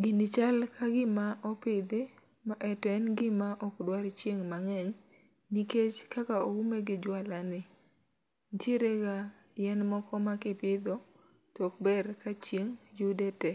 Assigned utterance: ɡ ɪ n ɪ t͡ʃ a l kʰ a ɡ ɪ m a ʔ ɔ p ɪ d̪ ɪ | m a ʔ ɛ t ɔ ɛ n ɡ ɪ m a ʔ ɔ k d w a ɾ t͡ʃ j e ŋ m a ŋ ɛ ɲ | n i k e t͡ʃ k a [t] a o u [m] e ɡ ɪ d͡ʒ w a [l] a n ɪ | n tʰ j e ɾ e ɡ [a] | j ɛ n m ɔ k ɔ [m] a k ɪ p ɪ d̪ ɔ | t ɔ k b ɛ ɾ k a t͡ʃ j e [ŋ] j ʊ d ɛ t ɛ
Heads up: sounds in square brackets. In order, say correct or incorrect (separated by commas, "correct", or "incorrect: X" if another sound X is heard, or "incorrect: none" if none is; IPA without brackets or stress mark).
incorrect: k, correct, correct, correct, correct, correct